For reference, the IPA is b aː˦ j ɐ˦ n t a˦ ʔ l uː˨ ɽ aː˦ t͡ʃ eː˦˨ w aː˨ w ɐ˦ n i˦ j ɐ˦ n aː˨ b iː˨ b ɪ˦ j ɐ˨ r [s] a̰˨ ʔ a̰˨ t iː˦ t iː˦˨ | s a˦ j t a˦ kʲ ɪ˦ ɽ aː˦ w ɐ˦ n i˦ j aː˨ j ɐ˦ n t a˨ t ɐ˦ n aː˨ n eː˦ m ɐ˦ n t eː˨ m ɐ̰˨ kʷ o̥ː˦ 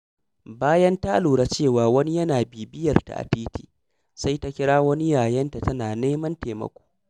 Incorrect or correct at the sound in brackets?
incorrect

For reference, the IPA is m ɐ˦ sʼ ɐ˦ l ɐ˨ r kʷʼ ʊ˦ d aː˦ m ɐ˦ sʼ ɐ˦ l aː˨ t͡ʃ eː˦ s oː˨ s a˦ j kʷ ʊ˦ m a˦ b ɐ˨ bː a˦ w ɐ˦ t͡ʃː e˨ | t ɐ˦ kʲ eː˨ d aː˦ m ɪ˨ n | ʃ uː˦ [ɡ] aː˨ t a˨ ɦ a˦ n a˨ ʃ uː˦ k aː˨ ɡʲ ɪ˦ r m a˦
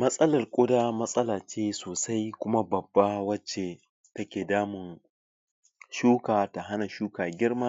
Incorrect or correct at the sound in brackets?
incorrect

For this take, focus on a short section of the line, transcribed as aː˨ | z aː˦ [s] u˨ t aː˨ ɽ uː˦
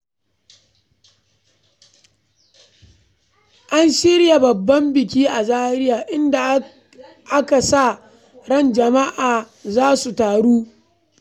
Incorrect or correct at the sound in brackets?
correct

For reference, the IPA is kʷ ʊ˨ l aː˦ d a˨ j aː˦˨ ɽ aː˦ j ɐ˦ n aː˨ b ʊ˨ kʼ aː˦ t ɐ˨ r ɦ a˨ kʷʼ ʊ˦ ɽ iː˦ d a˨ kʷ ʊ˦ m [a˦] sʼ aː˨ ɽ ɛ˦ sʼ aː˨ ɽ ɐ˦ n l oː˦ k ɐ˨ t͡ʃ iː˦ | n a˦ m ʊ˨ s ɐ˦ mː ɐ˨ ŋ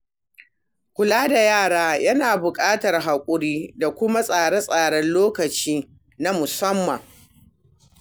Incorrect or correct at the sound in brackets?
correct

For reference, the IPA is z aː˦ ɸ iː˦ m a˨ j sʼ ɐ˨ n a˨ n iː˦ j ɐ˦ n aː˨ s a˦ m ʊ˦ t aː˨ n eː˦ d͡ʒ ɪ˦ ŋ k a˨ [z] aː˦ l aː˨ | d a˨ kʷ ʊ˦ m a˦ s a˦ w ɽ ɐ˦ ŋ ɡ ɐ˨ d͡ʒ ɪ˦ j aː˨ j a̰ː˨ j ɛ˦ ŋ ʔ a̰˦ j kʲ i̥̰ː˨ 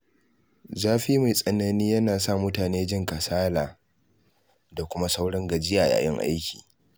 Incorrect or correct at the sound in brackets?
incorrect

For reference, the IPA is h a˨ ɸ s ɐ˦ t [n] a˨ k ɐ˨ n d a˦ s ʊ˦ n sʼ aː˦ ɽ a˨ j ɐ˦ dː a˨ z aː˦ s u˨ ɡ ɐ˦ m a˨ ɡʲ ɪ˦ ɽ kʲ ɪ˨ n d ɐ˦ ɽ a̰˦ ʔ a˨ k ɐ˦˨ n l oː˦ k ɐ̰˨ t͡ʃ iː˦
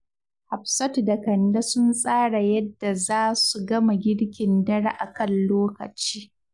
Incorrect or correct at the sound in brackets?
incorrect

